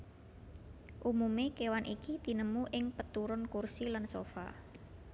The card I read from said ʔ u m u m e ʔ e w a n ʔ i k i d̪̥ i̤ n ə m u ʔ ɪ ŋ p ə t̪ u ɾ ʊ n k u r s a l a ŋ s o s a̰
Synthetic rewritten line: ʔ u m u m e k e w a n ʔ i k i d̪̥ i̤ n ə m u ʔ ɪ ŋ p ə t̪ u ɾ ʊ n k u r s i l a n s o f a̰